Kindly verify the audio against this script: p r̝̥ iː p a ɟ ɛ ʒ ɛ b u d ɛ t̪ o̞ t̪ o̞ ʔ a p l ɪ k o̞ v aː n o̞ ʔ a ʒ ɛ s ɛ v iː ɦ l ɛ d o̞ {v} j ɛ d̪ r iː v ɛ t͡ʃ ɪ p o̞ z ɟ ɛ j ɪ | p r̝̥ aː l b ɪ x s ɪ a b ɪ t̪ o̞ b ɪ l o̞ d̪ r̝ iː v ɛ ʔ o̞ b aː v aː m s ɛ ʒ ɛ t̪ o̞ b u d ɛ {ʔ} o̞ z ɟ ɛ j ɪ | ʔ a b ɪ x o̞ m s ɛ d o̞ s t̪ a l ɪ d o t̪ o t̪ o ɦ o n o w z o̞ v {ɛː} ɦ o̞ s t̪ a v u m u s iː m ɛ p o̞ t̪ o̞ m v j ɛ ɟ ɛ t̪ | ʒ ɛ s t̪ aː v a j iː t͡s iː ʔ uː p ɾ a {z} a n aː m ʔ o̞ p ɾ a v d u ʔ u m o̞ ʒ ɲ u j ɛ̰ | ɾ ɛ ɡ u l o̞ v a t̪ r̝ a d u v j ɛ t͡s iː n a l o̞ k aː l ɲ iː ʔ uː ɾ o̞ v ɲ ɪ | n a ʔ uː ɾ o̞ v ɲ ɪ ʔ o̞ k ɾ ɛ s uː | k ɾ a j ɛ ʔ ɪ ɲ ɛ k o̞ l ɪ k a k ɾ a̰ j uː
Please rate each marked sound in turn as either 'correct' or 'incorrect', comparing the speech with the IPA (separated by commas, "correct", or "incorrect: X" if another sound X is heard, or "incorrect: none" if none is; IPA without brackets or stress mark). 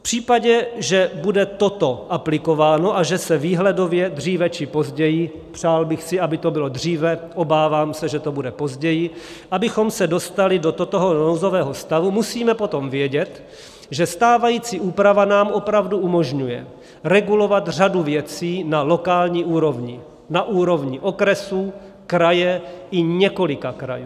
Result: correct, incorrect: p, correct, incorrect: v